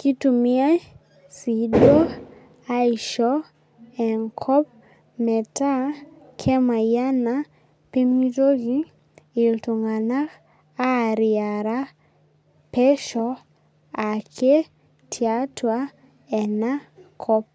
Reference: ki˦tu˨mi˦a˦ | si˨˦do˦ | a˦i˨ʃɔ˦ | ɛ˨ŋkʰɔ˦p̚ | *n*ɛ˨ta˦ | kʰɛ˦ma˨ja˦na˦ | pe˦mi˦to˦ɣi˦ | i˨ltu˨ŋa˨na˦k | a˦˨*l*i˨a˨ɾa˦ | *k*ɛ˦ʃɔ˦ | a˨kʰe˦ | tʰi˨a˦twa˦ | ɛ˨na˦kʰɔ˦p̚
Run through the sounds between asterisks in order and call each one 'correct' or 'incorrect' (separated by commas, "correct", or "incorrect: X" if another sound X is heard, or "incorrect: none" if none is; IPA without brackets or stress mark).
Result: incorrect: m, incorrect: ɾ, incorrect: p